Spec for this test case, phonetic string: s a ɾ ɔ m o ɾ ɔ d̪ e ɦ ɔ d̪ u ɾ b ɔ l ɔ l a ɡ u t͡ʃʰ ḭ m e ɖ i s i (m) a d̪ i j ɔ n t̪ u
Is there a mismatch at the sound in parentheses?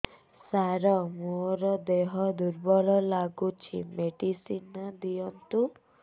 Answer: yes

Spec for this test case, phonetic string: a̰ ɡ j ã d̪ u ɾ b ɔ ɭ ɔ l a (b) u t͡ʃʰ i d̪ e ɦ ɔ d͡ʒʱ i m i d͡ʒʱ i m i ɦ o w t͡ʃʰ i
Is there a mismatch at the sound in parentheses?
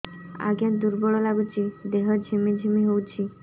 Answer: yes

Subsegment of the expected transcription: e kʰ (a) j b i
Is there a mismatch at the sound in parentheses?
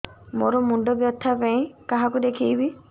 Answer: yes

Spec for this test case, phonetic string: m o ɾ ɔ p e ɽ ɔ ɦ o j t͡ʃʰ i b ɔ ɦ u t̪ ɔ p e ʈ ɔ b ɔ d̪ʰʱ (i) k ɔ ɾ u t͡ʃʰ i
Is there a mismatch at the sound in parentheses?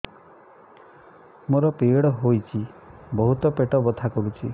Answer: yes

